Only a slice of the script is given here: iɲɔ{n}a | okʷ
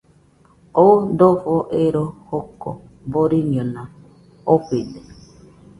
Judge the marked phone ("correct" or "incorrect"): correct